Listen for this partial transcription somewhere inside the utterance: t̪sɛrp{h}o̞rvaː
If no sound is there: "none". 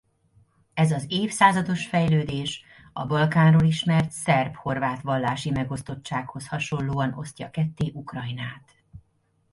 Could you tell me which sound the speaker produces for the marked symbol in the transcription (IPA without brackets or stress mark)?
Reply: h